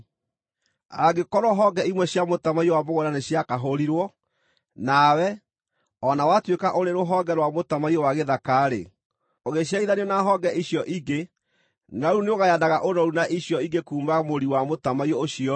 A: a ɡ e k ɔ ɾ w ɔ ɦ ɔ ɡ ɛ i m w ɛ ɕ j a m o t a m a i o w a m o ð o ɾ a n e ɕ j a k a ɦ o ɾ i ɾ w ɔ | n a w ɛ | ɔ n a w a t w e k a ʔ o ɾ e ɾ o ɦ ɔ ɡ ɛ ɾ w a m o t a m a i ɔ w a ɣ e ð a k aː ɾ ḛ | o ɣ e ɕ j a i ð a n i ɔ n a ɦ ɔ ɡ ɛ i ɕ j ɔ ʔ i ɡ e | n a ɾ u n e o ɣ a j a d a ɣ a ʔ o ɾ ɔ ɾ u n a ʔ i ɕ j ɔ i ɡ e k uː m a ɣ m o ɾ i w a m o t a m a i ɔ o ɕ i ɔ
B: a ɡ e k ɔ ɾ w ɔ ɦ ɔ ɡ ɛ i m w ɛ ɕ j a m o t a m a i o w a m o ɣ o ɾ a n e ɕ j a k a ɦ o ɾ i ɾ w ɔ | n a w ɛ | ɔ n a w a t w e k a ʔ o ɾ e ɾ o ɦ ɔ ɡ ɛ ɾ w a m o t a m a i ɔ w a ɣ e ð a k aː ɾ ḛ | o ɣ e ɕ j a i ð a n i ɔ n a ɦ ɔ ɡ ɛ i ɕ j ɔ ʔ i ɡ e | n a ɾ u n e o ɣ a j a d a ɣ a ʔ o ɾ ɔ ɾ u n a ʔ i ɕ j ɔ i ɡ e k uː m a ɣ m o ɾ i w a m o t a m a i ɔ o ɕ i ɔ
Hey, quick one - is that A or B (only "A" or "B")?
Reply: B